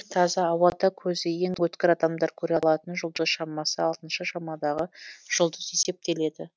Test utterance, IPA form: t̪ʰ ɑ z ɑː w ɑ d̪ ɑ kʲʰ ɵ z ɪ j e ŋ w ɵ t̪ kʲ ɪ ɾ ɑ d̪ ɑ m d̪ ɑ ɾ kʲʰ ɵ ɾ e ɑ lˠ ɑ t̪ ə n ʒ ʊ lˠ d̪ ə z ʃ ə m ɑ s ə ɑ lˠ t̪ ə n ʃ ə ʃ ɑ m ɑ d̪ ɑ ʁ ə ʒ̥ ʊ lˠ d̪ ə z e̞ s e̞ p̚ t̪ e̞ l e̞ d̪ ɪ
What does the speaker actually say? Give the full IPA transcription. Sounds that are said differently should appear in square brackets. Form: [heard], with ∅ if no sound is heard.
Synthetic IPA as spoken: t̪ʰ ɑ z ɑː w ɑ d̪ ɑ kʲʰ ɵ z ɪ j e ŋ w ɵ t̪ kʲ ɪ ɾ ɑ d̪ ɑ m d̪ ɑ ɾ kʲʰ ɵ ɾ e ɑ lˠ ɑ t̪ ə n ʒ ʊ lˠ d̪ ə z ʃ [ɑ] m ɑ s ə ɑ lˠ t̪ ə n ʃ ə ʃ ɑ m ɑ d̪ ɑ ʁ ə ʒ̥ ʊ lˠ d̪ ə z e̞ s e̞ p̚ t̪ e̞ l e̞ d̪ ɪ